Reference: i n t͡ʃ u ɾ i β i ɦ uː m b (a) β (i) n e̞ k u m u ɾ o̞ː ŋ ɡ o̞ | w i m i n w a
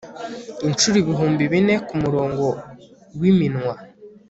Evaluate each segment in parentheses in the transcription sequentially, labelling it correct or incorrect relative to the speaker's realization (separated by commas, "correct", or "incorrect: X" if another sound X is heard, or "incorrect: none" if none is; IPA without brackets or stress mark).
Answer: incorrect: i, correct